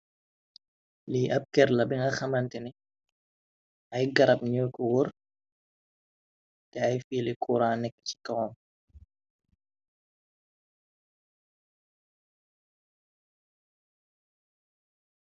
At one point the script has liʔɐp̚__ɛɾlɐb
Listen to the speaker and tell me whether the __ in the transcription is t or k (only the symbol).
k